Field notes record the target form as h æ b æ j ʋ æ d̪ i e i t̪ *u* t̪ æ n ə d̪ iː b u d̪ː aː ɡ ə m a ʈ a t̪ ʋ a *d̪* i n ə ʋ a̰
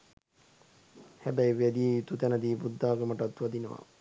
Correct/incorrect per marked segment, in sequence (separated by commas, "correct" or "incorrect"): correct, correct